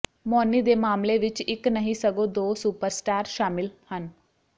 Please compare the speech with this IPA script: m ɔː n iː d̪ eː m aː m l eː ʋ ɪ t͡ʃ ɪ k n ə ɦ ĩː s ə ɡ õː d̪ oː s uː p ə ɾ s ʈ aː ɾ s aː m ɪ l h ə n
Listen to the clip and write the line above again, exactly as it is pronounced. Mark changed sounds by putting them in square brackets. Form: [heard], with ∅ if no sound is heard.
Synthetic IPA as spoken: m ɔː n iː d̪ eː m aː m l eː ʋ ɪ t͡ʃ ɪ k n ə ɦ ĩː s ə ɡ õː d̪ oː s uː p ə ɾ s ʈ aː ɾ [ʃ] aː m ɪ l h ə n

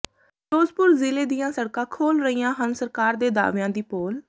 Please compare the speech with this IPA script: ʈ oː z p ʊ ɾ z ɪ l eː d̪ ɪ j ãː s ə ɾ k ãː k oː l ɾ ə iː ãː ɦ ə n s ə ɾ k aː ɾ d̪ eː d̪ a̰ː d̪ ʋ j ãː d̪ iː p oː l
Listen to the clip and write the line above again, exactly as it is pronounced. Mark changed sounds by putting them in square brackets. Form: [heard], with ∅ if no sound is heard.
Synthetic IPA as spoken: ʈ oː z p ʊ ɾ z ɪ l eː d̪ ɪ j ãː s ə [ɽ] k ãː [kʰ] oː l ɾ ə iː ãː ɦ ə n s ə ɾ k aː ɾ d̪ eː d̪ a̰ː [∅] ʋ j ãː d̪ iː p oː l

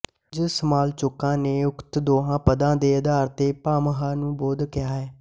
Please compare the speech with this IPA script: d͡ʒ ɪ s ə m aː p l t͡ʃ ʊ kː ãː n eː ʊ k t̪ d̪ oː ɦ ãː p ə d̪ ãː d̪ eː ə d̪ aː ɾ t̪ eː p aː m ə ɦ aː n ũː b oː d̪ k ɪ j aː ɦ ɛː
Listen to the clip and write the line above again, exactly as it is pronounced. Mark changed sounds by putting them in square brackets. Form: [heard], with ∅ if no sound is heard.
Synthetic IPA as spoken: d͡ʒ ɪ s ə m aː [∅] l t͡ʃ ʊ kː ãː n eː ʊ k t̪ d̪ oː ɦ ãː p ə d̪ ãː d̪ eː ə d̪ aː ɾ t̪ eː p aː m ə ɦ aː n ũː b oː d̪ k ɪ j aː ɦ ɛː

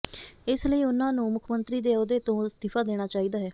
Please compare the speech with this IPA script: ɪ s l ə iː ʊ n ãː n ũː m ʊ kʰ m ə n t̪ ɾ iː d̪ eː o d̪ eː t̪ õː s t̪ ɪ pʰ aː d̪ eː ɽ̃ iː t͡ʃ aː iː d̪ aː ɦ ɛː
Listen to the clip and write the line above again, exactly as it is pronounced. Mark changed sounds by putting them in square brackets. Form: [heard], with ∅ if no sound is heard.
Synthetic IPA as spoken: ɪ s l ə iː ʊ n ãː n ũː m ʊ kʰ m ə n t̪ ɾ iː d̪ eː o d̪ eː t̪ õː s t̪ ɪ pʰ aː d̪ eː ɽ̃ [aː] t͡ʃ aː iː d̪ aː ɦ ɛː

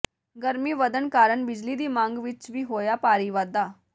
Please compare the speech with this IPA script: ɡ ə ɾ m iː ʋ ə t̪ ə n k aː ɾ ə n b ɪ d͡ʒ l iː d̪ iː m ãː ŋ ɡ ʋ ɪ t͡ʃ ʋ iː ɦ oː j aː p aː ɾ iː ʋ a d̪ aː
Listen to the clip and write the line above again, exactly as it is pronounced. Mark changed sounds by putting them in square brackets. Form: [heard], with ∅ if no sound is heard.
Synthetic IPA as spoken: ɡ ə ɾ m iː ʋ ə [d̪] ə n k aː ɾ ə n b ɪ d͡ʒ l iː d̪ iː m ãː ŋ ɡ ʋ ɪ t͡ʃ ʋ iː ɦ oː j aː p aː ɾ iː ʋ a d̪ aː

